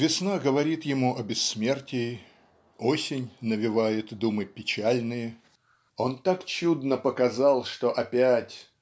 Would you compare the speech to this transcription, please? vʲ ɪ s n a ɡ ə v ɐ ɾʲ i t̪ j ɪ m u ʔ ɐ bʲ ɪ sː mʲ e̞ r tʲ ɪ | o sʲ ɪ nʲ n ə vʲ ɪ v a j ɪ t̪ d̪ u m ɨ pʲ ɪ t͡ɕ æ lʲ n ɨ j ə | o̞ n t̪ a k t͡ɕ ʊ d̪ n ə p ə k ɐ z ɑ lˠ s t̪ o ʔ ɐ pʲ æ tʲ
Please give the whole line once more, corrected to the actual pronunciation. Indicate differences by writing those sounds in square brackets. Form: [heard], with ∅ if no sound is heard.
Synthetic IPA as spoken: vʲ ɪ s n a ɡ ə v ɐ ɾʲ i t̪ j ɪ m u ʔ ɐ bʲ ɪ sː mʲ e̞ r tʲ ɪ | o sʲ ɪ nʲ n ə vʲ ɪ v a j ɪ t̪ d̪ u m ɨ pʲ ɪ t͡ɕ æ lʲ n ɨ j ə | o̞ n t̪ a k t͡ɕ [u] d̪ n ə p ə k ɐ z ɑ lˠ [ʂ] t̪ o ʔ ɐ pʲ æ tʲ